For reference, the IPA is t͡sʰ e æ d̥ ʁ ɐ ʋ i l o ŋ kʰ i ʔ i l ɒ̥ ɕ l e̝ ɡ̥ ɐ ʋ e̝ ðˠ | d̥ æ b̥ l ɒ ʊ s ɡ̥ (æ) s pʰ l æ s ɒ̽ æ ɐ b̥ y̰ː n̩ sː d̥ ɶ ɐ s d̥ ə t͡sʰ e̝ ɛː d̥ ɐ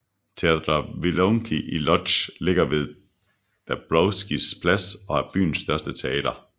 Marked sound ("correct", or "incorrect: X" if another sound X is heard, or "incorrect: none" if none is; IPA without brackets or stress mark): incorrect: i